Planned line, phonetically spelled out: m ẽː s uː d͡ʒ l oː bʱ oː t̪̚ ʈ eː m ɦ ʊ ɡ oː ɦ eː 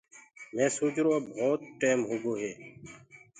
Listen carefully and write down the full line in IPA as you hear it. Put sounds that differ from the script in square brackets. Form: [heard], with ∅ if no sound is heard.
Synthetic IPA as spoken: m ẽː s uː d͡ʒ [ɾ] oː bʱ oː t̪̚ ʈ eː m ɦ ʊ ɡ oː ɦ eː

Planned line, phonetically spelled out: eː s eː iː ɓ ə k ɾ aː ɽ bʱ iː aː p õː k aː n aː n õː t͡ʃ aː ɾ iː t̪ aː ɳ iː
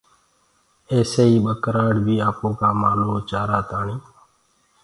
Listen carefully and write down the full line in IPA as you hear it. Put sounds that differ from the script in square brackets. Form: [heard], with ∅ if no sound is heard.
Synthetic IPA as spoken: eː s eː iː ɓ ə k ɾ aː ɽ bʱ iː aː p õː k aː [m] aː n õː t͡ʃ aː ɾ [aː] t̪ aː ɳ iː

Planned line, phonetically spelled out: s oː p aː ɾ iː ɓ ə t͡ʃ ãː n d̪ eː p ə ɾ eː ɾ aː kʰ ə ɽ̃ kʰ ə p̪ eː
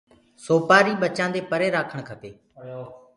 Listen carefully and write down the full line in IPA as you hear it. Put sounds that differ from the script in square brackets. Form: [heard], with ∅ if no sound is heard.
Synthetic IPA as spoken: s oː p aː ɾ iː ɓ ə t͡ʃ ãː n d̪ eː p ə ɾ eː ɾ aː kʰ ə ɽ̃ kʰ ə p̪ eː

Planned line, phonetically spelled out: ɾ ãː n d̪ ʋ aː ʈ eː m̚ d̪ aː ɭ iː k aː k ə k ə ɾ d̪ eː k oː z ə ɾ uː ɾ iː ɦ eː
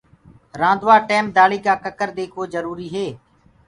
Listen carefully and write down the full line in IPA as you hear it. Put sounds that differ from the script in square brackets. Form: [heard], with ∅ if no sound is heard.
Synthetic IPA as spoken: ɾ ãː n d̪ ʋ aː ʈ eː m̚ d̪ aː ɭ iː k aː k ə k ə ɾ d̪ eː [kʰ] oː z ə ɾ uː ɾ iː ɦ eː

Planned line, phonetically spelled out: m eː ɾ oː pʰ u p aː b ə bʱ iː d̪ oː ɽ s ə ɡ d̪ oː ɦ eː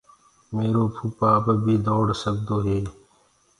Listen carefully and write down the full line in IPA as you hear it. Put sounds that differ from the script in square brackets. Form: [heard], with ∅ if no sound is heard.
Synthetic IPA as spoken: m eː ɾ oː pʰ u p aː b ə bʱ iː d̪ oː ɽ s ə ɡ d̪ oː ɦ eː

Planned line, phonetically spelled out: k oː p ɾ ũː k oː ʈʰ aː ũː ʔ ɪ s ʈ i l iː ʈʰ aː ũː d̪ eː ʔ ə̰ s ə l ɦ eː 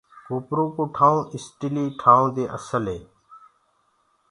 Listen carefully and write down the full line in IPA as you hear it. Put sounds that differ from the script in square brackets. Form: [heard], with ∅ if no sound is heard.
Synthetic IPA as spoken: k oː p ɾ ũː k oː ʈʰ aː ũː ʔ ɪ s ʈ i l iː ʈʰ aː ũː d̪ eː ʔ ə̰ s ə l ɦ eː

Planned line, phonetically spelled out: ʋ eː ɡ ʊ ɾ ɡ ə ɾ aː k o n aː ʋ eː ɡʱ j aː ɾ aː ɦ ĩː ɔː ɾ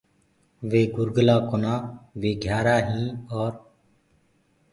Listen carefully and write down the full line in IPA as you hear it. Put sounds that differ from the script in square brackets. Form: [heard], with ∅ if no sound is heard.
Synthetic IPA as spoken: ʋ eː ɡ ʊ ɾ ɡ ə [l] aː k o n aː ʋ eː ɡʱ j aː ɾ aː ɦ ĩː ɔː ɾ

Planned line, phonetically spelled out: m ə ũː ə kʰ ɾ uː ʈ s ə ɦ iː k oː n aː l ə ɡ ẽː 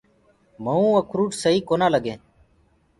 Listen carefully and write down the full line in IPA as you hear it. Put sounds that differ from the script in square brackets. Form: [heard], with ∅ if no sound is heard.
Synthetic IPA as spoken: m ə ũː ə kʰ ɾ uː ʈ s ə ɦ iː k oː n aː l ə ɡ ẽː

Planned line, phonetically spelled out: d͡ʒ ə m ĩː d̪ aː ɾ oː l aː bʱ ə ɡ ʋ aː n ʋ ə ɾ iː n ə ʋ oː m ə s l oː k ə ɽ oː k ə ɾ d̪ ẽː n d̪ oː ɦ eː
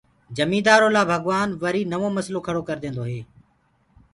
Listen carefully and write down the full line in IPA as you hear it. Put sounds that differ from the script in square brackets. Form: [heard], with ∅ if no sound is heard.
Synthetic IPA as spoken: d͡ʒ ə m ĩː d̪ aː ɾ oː l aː bʱ ə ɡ ʋ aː n ʋ ə ɾ iː n ə ʋ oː m ə s l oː [kʰ] ə ɽ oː k ə ɾ d̪ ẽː n d̪ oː ɦ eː

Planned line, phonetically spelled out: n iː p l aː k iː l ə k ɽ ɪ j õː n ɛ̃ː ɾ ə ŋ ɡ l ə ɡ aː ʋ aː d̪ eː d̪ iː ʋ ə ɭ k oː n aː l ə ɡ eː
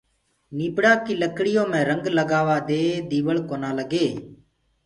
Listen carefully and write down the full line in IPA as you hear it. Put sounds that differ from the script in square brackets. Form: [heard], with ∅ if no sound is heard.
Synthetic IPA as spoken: n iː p [ɽ] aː k iː l ə k ɽ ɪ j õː [m] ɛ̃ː ɾ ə ŋ ɡ l ə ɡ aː ʋ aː d̪ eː d̪ iː ʋ ə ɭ k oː n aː l ə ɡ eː

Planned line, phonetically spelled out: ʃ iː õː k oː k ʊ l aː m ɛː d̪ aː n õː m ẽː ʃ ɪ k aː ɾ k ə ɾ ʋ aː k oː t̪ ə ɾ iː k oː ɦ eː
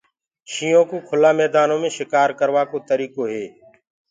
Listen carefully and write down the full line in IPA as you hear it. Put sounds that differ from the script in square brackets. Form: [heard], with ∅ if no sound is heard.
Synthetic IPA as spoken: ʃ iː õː k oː [kʰ] ʊ l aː m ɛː d̪ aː n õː m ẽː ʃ ɪ k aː ɾ k ə ɾ ʋ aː k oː t̪ ə ɾ iː k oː ɦ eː

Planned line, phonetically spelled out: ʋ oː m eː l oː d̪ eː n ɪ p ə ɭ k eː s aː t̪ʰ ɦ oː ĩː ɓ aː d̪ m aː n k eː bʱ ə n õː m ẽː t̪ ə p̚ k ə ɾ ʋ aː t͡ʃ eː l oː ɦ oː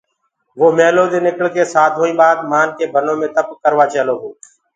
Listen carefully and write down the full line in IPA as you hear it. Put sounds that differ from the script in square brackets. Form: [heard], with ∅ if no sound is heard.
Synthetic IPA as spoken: ʋ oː m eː l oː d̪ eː n ɪ [k] ə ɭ k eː s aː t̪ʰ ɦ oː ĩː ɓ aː d̪ m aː n k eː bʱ ə n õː m ẽː t̪ ə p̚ k ə ɾ ʋ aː t͡ʃ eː l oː ɦ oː

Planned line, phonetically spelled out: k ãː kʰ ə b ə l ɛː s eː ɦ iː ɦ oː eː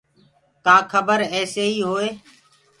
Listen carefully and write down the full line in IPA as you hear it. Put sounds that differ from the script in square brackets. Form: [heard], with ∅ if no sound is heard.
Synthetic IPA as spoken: k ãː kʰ ə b ə [ɾ] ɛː s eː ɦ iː ɦ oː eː

